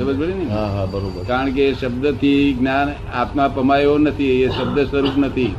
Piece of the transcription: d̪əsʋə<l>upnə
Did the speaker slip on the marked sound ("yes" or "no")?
yes